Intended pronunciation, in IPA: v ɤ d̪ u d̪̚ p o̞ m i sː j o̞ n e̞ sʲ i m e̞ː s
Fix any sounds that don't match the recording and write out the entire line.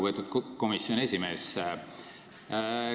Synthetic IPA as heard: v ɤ t̪ u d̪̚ k o̞ m i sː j o̞ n e̞ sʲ i m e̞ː s